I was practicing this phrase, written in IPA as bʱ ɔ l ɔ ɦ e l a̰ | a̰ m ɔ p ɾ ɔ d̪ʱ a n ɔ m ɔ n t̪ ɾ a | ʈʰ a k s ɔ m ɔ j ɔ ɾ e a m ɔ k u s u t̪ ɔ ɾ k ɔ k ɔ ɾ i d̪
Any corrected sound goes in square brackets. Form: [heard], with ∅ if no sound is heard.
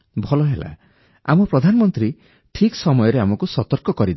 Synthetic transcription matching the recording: bʱ ɔ l ɔ ɦ e l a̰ | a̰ m ɔ p ɾ ɔ d̪ʱ a n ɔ m ɔ n t̪ ɾ [i] | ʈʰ [i] k s ɔ m ɔ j ɔ ɾ e a m ɔ k u s [ɔ] t̪ ɔ ɾ k ɔ k ɔ ɾ i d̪